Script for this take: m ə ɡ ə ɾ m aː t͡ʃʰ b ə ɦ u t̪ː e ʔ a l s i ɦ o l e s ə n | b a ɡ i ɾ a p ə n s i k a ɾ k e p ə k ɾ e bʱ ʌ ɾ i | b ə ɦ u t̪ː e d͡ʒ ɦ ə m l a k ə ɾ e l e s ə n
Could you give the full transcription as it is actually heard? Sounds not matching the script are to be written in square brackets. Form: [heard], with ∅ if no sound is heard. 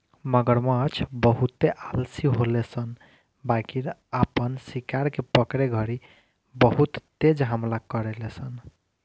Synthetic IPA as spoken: m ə ɡ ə ɾ m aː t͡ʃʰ b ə ɦ u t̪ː e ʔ a l s i ɦ o l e s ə n | b a [k] i ɾ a p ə n s i k a ɾ k e p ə k ɾ e [ɡʱ] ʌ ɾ i | b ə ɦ u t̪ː e d͡ʒ ɦ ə m l a k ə ɾ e l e s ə n